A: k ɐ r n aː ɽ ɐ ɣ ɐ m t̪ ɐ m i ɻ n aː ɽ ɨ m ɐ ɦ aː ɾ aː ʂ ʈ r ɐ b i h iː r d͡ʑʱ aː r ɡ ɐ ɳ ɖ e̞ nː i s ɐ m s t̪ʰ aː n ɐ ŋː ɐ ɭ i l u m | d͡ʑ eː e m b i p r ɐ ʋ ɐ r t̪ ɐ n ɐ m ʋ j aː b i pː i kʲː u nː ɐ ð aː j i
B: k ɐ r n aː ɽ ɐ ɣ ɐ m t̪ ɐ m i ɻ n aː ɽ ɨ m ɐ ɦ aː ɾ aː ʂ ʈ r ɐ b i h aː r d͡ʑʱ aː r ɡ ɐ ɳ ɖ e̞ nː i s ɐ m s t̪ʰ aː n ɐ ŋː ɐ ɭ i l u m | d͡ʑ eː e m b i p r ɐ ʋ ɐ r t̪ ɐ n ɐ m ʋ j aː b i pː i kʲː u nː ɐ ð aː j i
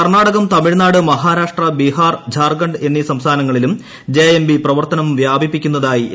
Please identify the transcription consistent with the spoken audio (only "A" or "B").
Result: B